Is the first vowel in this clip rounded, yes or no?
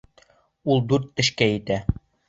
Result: yes